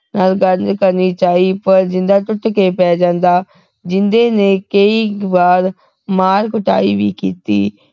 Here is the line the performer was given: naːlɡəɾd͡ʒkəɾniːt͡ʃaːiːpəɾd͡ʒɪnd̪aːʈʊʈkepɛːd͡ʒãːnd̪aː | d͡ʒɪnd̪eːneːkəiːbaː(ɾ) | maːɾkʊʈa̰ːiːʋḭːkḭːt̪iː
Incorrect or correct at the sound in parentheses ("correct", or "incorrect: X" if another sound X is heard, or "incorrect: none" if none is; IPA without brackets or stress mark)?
correct